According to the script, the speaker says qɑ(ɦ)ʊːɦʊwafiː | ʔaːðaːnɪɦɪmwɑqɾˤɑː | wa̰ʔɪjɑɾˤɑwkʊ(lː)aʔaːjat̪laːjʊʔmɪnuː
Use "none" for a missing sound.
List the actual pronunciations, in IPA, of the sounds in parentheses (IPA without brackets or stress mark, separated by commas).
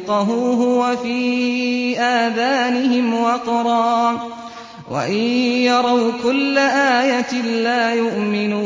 ɦ, lː